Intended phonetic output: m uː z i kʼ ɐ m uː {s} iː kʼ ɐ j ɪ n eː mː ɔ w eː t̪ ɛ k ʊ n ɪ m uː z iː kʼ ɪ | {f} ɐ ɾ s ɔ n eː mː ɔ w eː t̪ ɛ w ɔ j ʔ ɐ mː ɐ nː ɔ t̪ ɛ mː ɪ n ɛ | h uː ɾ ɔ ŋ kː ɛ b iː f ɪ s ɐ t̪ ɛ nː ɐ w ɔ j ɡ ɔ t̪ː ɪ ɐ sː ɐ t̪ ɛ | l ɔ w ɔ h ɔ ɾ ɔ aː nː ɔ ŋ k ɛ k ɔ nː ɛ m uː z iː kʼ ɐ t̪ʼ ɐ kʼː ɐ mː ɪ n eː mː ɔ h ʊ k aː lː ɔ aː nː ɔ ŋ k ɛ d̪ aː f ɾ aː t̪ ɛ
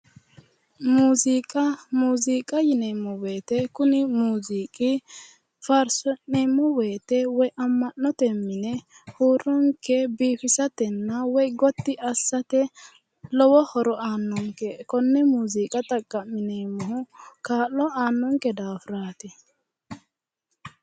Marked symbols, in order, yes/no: no, yes

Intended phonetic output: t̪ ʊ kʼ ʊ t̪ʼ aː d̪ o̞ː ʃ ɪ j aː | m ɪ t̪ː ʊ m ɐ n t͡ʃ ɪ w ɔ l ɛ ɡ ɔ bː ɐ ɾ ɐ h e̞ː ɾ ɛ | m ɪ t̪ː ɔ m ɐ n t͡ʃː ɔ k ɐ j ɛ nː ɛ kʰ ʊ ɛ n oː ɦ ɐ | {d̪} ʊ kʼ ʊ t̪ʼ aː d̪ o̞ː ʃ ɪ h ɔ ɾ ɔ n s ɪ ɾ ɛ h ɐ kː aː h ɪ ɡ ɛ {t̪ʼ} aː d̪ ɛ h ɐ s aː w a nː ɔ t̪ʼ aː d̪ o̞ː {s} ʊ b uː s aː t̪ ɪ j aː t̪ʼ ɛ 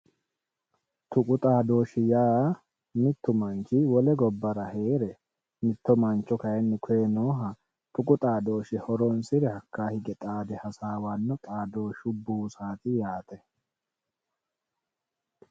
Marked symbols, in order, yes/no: no, yes, no

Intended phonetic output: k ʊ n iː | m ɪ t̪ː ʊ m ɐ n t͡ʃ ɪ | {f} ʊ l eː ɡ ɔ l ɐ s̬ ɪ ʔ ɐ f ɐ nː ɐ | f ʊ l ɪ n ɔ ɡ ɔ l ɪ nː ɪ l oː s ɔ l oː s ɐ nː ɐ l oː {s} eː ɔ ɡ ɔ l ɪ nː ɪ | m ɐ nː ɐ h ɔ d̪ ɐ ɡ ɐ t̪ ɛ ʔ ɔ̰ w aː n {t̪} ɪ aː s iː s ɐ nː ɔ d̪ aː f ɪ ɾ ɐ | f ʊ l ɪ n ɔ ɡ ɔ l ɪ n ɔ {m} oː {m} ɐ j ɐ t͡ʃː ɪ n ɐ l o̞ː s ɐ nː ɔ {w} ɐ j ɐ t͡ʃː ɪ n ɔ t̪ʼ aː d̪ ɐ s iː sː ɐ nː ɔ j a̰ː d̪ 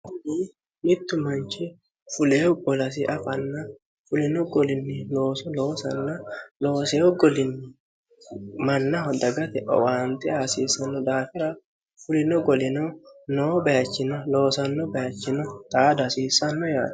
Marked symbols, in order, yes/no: yes, yes, yes, no, no, no

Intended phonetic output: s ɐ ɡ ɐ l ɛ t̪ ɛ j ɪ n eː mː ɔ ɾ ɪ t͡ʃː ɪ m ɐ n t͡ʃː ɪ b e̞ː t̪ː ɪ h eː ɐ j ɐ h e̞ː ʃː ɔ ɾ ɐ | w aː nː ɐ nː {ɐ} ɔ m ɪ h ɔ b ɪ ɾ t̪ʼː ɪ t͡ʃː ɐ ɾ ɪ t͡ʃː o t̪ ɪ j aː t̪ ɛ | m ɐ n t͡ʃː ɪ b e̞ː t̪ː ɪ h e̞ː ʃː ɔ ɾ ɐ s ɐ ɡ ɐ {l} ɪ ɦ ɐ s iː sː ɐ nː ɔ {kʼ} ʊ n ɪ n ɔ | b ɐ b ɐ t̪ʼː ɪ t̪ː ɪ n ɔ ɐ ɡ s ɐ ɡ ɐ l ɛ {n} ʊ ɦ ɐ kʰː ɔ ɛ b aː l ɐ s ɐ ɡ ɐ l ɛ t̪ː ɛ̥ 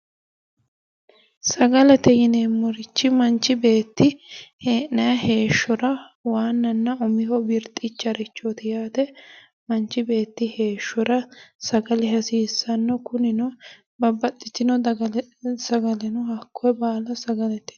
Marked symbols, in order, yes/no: yes, yes, no, yes

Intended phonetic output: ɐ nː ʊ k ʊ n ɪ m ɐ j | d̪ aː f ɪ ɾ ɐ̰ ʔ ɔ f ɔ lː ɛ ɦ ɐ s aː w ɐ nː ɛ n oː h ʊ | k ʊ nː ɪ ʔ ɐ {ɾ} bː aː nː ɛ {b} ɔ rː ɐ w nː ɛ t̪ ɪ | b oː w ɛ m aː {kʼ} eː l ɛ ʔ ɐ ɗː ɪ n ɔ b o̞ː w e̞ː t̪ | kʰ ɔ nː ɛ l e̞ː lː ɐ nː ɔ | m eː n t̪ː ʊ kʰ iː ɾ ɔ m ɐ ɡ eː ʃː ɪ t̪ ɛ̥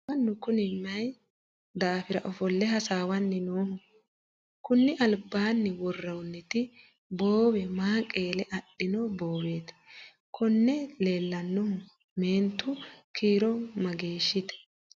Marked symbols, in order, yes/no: no, no, yes

